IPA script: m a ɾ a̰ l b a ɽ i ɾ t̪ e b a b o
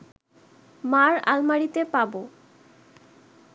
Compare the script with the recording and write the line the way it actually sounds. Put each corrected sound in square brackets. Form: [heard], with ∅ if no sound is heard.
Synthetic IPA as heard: m a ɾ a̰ l [m] a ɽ i [∅] t̪ e [p] a b o

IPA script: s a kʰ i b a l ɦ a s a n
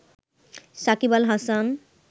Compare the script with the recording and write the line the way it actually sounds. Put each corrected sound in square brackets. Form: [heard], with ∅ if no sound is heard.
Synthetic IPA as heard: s a [k] i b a l ɦ a s a n

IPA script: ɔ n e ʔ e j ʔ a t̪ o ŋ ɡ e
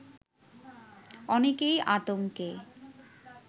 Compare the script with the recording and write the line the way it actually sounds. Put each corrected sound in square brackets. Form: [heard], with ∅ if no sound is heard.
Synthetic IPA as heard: ɔ n e [k] e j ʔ a t̪ o ŋ [k] e

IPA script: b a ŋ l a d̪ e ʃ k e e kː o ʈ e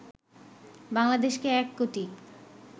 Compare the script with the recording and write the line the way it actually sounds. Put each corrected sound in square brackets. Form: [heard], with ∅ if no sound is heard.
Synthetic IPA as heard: b a ŋ l a d̪ e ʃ k e [ɛ] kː o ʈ [i]

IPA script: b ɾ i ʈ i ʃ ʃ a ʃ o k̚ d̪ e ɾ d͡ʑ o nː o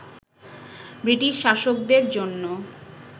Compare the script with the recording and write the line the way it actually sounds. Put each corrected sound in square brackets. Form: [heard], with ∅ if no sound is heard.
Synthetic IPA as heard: b ɾ i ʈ i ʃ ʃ a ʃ o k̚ d̪ e ɾ d͡ʑ o nː o

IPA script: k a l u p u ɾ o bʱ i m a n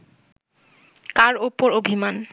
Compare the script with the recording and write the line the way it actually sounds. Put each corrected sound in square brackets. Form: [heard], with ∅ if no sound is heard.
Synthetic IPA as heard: k a [ɾ] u p [o] ɾ o bʱ i m a n

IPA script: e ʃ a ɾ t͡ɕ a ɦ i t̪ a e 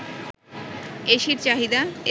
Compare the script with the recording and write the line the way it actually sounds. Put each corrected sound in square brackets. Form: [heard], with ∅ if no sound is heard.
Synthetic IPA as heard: e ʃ [i] ɾ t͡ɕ a ɦ i [d̪] a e

